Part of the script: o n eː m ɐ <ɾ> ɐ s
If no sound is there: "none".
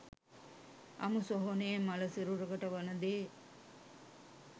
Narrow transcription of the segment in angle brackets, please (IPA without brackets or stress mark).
l